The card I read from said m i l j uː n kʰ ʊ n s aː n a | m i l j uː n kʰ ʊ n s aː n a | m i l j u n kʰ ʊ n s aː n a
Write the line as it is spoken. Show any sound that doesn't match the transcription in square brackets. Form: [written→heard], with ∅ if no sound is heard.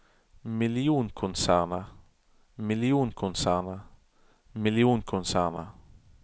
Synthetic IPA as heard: m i l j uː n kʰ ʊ n s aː n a | m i l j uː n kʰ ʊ n s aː n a | m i l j u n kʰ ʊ n s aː n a